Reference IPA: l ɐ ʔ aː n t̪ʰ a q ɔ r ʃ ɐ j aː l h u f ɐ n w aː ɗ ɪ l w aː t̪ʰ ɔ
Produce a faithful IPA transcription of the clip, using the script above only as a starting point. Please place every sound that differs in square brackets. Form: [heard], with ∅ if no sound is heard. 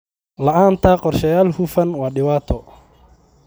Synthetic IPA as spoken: l ɐ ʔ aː n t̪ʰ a q ɔ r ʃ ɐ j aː l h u f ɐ n w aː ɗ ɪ [∅] w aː t̪ʰ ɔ

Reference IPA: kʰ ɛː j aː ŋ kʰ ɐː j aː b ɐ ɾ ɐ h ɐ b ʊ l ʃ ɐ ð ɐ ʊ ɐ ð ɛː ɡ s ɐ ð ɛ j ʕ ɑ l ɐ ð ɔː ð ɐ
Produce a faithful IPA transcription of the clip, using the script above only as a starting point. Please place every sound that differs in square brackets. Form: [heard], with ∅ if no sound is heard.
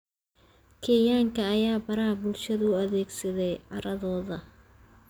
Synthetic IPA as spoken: kʰ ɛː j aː ŋ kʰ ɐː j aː b ɐ ɾ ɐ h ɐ b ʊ l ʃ ɐ ð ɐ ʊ ɐ ð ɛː ɡ s ɐ ð ɛ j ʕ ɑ [ɾ] ɐ ð ɔː ð ɐ

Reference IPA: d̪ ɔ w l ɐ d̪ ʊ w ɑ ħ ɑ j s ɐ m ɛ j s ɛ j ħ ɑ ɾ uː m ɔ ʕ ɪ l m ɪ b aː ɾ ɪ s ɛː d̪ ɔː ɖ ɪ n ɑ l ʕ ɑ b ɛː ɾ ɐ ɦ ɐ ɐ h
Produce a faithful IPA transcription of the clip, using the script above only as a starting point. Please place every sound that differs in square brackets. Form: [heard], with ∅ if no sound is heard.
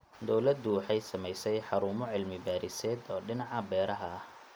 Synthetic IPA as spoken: d̪ ɔ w l ɐ d̪ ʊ w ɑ ħ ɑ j s ɐ m ɛ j s ɛ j ħ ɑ ɾ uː m ɔ ʕ ɪ l m ɪ b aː ɾ ɪ s ɛː d̪ ɔː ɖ ɪ n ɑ [∅] ʕ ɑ b ɛː ɾ ɐ ɦ ɐ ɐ h

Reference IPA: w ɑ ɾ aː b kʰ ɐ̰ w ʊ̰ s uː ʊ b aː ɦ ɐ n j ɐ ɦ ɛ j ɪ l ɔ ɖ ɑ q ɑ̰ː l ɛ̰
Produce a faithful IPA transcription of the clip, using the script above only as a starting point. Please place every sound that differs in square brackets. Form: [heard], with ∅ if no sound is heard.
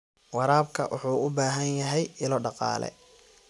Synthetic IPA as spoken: w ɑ ɾ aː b kʰ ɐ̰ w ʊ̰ [ħ] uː ʊ b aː ɦ ɐ n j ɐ ɦ ɛ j ɪ l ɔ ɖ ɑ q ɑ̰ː l ɛ̰

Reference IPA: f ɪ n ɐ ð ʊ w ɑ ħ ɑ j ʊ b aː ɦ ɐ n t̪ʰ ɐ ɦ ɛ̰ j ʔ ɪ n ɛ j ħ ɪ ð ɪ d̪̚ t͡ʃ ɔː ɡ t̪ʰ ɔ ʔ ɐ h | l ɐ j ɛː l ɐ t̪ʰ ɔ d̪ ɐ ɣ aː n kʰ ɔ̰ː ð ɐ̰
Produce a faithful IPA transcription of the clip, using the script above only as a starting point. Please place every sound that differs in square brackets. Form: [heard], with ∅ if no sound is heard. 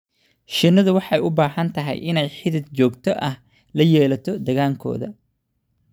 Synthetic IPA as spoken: [ʃ] ɪ n ɐ ð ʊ w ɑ ħ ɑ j ʊ b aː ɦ ɐ n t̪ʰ ɐ ɦ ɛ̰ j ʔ ɪ n ɛ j ħ ɪ ð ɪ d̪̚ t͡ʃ ɔː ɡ t̪ʰ ɔ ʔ ɐ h | l ɐ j ɛː l ɐ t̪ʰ ɔ d̪ ɐ ɣ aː [ŋ] kʰ ɔ̰ː ð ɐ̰

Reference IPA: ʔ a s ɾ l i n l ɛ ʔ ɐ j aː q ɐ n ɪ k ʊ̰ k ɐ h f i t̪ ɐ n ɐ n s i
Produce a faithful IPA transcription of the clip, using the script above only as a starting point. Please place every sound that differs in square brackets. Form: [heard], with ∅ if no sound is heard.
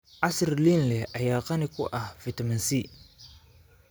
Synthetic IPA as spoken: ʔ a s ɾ l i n l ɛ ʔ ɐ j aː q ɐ n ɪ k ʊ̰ [ʔ] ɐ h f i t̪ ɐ [m] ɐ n s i

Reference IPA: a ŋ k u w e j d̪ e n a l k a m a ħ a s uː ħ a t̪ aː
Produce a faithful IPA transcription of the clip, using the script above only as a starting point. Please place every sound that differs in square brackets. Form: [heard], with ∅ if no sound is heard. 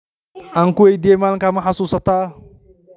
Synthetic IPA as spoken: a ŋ k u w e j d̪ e [m] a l k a m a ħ a s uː [s] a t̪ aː

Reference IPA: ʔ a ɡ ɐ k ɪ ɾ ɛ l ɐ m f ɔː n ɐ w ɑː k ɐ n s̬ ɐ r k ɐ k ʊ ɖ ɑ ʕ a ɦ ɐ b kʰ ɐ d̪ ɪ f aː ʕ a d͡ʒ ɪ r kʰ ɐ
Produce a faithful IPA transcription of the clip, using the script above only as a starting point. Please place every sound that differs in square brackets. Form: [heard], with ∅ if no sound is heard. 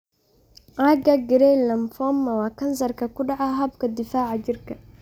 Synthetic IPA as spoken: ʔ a ɡ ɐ [ɡ] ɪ ɾ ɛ l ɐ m f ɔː [m] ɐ w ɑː k ɐ n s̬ ɐ r k ɐ k ʊ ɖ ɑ ʕ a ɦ ɐ b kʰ ɐ d̪ ɪ f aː ʕ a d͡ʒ ɪ r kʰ ɐ

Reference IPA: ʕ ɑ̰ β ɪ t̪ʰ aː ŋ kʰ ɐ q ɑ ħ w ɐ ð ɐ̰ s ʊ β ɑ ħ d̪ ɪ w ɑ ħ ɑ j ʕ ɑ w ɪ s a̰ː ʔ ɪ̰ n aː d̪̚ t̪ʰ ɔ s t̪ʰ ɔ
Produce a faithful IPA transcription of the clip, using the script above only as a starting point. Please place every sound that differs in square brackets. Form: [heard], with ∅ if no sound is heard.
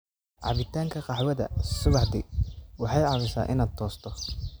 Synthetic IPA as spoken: ʕ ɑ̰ β ɪ t̪ʰ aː ŋ kʰ ɐ q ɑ ħ w ɐ ð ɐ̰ s ʊ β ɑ ħ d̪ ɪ w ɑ ħ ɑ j ʕ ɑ [β] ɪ s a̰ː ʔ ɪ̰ n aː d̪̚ t̪ʰ [ɔː] s t̪ʰ ɔ

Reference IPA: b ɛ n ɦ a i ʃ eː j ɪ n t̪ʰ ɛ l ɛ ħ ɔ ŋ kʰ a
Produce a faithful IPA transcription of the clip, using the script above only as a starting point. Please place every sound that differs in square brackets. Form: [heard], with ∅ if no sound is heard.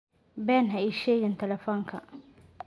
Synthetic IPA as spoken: b ɛ n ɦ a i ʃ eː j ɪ n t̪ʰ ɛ l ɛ [f] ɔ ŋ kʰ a

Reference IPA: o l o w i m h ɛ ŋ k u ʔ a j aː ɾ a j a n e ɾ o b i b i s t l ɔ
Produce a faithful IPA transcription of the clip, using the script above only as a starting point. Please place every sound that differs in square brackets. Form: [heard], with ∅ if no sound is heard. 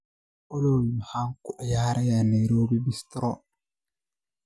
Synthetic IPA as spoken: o l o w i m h [a] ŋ k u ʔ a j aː ɾ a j a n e ɾ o b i b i s t [ɾ] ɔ

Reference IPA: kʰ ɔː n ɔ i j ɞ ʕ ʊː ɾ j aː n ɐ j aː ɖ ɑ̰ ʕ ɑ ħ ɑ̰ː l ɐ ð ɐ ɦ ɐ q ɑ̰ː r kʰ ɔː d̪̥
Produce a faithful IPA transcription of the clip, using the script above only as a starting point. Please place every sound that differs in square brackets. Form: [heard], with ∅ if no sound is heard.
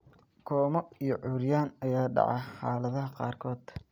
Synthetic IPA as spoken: kʰ ɔː [m] ɔ i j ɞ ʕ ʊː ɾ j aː n ɐ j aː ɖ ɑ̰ ʕ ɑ ħ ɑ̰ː l ɐ ð ɐ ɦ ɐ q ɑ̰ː r kʰ ɔː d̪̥

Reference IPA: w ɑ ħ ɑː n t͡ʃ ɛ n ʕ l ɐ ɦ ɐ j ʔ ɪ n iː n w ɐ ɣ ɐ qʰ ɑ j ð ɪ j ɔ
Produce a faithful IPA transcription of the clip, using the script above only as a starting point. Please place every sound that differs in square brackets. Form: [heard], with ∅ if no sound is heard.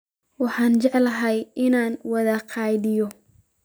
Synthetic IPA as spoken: w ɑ ħ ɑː n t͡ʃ ɛ [∅] ʕ l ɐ ɦ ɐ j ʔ ɪ n [aː] n w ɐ [ð] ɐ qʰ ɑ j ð ɪ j ɔ

